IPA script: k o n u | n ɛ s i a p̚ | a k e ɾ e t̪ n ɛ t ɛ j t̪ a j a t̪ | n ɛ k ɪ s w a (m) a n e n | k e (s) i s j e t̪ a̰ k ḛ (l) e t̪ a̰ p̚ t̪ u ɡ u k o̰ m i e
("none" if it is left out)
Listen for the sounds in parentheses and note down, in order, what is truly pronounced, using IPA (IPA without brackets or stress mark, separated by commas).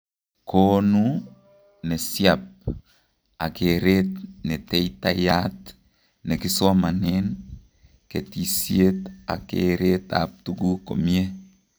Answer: m, t, ɾ